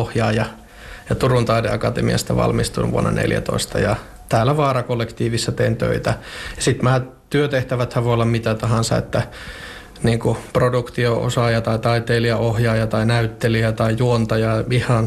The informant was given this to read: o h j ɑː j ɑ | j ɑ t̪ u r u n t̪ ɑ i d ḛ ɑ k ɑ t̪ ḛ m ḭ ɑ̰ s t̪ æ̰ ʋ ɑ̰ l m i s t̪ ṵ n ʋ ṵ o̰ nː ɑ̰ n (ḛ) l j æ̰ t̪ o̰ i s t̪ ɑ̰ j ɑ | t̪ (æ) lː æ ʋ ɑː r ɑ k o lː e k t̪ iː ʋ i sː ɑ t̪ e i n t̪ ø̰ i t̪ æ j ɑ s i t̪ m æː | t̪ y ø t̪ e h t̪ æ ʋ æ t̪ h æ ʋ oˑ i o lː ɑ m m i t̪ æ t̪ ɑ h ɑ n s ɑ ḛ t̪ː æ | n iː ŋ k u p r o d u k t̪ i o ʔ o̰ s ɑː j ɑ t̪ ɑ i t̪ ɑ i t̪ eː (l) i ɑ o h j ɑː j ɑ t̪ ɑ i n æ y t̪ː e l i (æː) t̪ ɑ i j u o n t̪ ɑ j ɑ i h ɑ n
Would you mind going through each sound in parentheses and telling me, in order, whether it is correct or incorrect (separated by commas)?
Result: correct, incorrect, correct, incorrect